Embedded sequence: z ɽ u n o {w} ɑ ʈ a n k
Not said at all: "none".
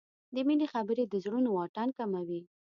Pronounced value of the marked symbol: w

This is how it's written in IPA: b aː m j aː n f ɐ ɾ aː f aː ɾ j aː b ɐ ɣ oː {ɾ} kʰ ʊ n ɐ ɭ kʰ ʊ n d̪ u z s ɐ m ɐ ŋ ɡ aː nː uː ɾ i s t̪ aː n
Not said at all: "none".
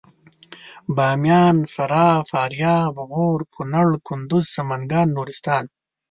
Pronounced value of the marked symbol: ɾ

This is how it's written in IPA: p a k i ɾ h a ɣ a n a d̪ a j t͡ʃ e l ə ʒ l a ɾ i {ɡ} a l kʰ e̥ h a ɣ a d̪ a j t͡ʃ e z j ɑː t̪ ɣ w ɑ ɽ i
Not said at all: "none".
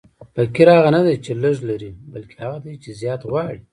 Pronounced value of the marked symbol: b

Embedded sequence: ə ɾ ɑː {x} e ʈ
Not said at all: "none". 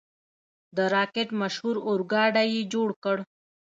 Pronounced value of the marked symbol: k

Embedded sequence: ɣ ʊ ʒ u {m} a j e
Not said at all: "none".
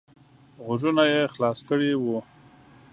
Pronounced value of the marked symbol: n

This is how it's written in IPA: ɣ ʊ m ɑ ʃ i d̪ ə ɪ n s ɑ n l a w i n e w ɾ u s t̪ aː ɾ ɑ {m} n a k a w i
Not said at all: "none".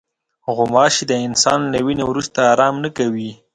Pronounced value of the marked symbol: m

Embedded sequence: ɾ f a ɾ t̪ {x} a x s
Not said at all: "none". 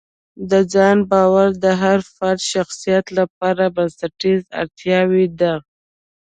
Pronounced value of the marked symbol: ʃ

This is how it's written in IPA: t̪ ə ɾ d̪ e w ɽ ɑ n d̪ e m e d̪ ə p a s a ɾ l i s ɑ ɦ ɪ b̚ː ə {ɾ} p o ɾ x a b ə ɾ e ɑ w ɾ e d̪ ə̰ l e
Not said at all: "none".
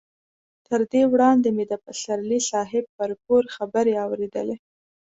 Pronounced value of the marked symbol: ɾ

